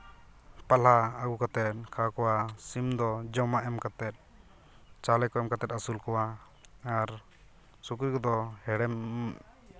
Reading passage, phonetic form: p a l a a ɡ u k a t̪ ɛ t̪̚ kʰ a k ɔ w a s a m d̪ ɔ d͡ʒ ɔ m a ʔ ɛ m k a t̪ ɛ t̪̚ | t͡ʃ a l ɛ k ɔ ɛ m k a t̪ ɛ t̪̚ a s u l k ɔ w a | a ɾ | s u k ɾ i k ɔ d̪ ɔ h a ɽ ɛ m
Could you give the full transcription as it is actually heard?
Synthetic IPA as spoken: p a l a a ɡ u k a t̪ ɛ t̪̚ kʰ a k ɔ w a s i m d̪ ɔ d͡ʒ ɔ m a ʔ ɛ m k a t̪ ɛ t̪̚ | t͡ʃ a l ɛ k ɔ ɛ m k a t̪ ɛ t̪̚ a s u l k ɔ w a | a ɾ | s u k ɾ i k ɔ d̪ ɔ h ɛ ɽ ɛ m